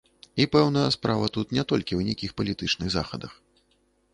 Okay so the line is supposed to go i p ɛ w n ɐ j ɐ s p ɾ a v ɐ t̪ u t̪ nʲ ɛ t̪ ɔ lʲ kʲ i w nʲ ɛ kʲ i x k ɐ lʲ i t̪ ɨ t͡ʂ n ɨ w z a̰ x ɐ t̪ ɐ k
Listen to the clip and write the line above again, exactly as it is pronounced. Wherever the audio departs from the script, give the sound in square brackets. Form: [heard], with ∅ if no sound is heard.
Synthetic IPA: i p ɛ w n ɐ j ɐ s p ɾ a v ɐ t̪ u t̪ nʲ ɛ t̪ ɔ lʲ kʲ i w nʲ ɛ kʲ i x [p] ɐ lʲ i t̪ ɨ t͡ʂ n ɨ [ɣ] z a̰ x ɐ [d̪] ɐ [x]